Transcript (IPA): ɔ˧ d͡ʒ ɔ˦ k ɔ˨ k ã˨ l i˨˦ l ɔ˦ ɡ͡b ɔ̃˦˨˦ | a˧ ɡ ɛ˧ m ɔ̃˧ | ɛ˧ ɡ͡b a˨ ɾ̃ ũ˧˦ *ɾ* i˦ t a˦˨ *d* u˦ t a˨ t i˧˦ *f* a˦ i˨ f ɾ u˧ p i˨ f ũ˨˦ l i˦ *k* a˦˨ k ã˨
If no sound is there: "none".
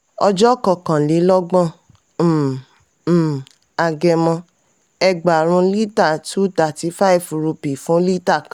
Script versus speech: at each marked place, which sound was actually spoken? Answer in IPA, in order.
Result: l, t, f, t

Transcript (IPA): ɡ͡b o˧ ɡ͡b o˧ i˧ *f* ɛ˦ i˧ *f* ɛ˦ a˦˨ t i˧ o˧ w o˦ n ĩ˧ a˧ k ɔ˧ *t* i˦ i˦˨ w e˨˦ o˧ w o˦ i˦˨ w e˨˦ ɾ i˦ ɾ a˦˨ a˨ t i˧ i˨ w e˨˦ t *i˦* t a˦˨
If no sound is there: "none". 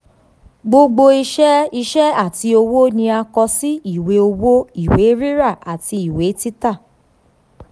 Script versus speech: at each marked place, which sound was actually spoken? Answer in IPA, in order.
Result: ʃ, ʃ, s, i˦

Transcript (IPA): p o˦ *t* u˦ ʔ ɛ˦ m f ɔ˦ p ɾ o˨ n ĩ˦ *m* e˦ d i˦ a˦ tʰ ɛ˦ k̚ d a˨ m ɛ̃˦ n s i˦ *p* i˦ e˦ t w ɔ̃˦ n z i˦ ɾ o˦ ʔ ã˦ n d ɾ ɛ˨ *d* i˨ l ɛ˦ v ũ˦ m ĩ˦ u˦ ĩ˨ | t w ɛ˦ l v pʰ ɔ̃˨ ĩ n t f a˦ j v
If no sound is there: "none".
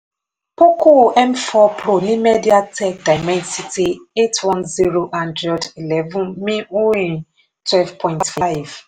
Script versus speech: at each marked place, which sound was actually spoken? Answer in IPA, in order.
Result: k, m, t, d

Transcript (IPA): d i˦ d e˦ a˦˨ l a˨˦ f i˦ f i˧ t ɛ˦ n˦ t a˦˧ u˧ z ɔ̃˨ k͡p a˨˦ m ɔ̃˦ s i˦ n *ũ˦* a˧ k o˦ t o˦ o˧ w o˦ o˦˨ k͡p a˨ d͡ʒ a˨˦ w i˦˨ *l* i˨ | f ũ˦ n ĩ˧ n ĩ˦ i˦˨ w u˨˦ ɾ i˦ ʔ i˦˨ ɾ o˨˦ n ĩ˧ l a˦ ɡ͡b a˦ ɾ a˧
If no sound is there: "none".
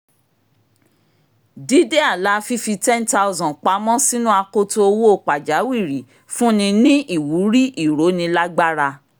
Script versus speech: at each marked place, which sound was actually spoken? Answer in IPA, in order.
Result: ũ˦, ɾ

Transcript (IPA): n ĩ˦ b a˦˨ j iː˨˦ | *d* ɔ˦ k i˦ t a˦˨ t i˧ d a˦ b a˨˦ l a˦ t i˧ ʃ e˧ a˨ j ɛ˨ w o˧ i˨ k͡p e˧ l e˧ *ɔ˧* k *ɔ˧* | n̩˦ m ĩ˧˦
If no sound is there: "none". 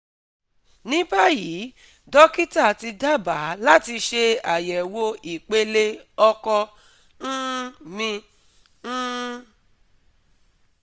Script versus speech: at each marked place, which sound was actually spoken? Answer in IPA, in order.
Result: d, ɔ˧, ɔ˧

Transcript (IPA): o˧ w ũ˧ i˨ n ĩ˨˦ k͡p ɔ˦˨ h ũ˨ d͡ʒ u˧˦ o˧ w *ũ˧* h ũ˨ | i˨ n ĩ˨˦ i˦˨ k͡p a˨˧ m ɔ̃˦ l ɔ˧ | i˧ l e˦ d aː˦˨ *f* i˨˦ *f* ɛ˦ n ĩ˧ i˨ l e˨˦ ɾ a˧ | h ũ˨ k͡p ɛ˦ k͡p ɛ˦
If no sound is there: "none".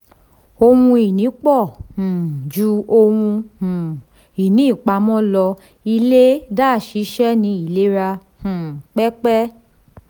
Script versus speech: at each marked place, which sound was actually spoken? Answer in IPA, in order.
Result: ũ˧, ʃ, ʃ

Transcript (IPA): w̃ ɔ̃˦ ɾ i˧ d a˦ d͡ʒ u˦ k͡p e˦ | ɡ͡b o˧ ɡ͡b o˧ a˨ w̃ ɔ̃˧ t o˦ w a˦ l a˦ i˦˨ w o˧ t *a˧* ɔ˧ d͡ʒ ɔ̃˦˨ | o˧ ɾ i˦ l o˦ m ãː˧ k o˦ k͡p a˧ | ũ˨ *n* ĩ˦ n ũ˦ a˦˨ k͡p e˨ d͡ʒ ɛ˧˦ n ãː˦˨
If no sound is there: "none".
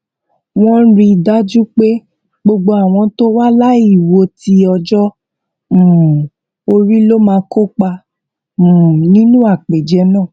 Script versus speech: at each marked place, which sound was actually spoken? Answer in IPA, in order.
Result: i˧, n

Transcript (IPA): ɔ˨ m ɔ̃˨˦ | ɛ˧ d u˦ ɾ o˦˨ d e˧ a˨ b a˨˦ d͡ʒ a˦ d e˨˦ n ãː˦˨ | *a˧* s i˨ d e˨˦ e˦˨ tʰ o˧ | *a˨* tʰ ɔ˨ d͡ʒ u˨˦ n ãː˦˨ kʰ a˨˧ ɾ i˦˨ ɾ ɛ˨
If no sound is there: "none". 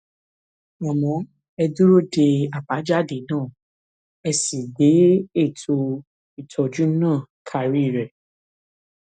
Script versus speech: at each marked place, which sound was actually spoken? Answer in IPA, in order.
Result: ɛ˧, i˨

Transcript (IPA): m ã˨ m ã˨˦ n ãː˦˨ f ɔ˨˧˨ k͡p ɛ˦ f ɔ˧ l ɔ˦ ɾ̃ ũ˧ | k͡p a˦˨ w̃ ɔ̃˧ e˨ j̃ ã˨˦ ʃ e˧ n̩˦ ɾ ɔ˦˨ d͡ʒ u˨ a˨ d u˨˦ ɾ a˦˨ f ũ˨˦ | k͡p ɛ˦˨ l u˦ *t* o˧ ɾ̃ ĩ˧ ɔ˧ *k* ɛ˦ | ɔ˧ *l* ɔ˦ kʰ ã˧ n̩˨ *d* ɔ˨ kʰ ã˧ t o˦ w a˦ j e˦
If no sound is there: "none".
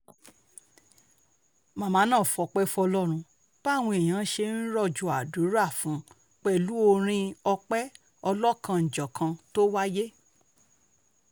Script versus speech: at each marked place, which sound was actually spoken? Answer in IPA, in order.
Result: none, k͡p, l, d͡ʒ

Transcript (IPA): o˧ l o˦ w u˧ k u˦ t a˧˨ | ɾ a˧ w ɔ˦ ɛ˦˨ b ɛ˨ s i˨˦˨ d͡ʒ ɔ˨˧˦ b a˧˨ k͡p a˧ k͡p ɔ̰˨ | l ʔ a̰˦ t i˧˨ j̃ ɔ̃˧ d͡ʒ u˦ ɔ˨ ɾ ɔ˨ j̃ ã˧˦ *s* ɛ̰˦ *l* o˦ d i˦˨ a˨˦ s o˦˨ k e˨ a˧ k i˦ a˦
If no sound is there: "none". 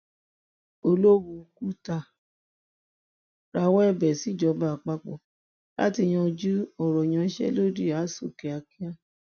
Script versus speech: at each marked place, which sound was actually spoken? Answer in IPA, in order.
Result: ʃ, l

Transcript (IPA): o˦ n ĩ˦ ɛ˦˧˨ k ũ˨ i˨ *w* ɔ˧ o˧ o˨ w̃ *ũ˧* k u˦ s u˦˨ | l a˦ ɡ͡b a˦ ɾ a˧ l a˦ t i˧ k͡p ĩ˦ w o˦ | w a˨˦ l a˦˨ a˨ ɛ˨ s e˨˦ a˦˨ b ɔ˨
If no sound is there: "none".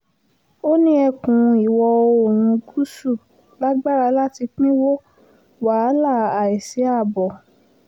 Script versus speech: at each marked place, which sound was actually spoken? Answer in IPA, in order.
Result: w, ũ˧

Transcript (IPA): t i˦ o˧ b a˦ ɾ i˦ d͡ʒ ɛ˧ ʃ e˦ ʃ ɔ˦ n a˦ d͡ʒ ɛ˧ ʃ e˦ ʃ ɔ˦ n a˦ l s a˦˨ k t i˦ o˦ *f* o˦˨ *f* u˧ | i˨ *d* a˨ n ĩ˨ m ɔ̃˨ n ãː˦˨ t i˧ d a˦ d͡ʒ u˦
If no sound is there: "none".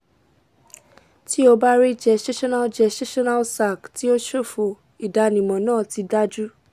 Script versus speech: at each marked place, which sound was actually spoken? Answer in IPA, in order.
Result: ʃ, f, d

